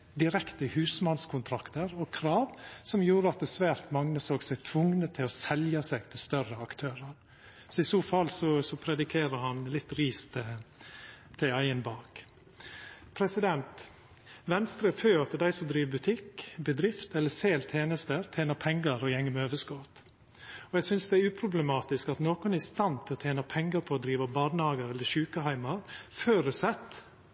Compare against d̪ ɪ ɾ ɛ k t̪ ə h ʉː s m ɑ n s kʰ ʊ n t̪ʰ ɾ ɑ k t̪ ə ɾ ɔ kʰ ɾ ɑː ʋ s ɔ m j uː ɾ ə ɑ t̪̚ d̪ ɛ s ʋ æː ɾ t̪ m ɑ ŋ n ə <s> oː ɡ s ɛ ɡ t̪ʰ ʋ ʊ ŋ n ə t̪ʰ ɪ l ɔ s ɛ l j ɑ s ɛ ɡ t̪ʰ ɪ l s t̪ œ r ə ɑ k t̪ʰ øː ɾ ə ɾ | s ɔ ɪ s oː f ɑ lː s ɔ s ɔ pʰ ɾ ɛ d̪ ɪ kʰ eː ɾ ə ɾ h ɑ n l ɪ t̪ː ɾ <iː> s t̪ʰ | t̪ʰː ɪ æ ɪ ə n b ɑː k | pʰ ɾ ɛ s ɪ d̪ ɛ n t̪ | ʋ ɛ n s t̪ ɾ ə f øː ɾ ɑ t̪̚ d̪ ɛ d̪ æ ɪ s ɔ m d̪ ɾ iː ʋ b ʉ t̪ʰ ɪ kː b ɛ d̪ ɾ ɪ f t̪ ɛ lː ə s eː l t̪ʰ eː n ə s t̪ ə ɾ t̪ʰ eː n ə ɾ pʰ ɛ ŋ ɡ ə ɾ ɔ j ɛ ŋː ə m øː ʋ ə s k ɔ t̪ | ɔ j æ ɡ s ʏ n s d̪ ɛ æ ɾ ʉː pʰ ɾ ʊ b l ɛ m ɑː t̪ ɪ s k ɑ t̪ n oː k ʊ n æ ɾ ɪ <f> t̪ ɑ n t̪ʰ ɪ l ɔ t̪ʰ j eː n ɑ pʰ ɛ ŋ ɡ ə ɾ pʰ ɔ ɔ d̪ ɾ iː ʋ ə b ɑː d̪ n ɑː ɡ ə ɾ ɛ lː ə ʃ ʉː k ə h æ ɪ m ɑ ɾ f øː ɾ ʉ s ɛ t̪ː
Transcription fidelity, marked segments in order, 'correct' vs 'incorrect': correct, correct, incorrect: s

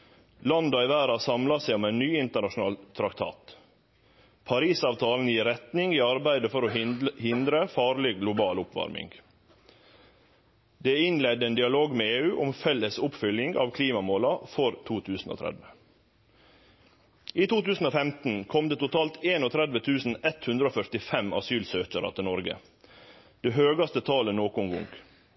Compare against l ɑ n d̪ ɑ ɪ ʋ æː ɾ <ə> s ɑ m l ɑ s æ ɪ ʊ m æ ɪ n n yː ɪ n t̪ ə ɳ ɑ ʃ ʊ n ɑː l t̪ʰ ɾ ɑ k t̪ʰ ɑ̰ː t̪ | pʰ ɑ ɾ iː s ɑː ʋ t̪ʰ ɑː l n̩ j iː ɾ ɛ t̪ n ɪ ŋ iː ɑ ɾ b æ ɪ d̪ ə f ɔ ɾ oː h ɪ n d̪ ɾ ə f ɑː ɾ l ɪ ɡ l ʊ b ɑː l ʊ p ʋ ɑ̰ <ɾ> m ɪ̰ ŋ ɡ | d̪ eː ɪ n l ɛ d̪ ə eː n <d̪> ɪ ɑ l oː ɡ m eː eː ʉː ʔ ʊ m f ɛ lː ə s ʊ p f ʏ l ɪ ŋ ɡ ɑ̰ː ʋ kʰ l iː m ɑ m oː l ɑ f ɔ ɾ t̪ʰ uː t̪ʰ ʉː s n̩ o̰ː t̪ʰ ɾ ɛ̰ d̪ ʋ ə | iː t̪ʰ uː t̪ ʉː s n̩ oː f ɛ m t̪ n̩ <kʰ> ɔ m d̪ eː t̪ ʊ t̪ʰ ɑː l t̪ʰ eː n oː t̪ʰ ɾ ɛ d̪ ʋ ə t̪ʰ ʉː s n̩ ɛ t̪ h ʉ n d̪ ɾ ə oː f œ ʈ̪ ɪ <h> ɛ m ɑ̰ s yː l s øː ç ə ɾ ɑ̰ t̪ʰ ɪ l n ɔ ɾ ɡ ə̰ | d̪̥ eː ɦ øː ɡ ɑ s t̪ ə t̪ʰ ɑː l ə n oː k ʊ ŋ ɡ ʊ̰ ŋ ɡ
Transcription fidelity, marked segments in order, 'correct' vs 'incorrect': incorrect: ɑ, correct, correct, correct, incorrect: f

